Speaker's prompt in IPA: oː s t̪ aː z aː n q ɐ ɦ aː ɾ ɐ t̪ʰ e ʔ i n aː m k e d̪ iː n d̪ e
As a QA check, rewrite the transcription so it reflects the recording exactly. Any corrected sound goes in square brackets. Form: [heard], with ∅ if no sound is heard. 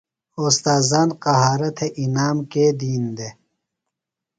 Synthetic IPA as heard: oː s t̪ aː z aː n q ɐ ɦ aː ɾ ɐ t̪ʰ e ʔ i n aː m k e d̪ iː n d̪ e

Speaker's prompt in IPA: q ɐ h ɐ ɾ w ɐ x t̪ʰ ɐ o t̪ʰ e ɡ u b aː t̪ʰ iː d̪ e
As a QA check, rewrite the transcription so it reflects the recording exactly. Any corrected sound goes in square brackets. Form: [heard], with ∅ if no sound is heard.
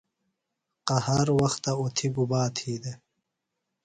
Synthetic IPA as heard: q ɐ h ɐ ɾ w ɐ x [t̪] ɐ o t̪ʰ [i] ɡ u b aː t̪ʰ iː d̪ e

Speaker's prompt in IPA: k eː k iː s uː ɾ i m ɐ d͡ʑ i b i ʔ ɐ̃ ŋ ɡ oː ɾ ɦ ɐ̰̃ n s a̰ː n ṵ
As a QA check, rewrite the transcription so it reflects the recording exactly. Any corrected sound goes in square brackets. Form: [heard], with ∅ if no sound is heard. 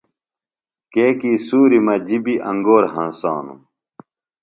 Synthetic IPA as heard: k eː k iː s uː ɾ i m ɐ d͡ʑ i b i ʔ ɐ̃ ŋ ɡ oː ɾ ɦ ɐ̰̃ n s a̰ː n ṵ

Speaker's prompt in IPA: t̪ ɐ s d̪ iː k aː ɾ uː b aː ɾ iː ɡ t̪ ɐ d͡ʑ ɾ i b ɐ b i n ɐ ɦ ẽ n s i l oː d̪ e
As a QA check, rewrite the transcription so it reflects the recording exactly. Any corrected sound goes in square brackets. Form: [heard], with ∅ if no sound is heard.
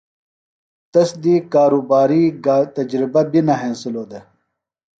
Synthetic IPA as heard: t̪ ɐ s d̪ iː k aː ɾ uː b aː ɾ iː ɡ t̪ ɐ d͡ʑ ɾ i b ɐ b i n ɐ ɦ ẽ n s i l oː d̪ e

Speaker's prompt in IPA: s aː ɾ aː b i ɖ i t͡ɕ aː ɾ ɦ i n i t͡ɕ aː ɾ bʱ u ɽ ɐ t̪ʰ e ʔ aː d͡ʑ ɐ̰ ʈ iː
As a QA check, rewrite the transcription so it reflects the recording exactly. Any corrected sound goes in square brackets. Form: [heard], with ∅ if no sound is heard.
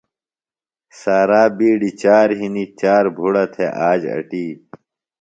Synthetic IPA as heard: s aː ɾ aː b [iː] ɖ i t͡ɕ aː ɾ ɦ i n i t͡ɕ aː ɾ bʱ u ɽ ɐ t̪ʰ e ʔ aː d͡ʑ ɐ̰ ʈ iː

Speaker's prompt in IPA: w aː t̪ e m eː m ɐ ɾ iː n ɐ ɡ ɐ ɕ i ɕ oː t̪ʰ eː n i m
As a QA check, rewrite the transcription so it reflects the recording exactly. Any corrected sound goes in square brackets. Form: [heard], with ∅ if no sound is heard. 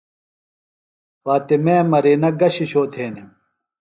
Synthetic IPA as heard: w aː t̪ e m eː m ɐ ɾ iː n ɐ ɡ ɐ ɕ i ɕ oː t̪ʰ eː n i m

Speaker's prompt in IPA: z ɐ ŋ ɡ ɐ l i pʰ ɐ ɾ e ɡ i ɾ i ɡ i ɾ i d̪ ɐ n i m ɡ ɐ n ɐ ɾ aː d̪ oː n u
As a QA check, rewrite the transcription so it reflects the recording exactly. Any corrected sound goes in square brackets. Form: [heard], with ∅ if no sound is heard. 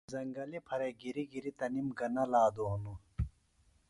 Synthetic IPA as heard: z ɐ ŋ ɡ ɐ l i pʰ ɐ ɾ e ɡ i ɾ i ɡ i ɾ i [t̪] ɐ n i m ɡ ɐ n ɐ [l] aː d̪ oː n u

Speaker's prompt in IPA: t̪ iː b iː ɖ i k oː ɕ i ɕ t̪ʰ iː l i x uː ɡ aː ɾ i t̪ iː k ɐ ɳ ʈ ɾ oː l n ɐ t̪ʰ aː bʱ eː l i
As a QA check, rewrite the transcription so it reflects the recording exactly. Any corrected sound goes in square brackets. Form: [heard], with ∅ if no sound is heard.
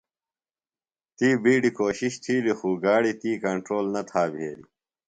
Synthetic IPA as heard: t̪ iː b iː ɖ i k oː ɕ i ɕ t̪ʰ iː l i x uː ɡ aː [ɽ] i t̪ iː k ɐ ɳ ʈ ɾ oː l n ɐ t̪ʰ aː bʱ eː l i

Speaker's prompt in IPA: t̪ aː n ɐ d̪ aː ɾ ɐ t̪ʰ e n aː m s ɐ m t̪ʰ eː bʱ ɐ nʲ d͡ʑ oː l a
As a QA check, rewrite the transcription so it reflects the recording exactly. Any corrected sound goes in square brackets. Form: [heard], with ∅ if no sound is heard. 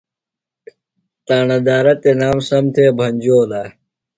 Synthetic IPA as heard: t̪ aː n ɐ d̪ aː ɾ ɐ [t̪] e n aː m s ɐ m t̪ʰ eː bʱ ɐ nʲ d͡ʑ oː l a

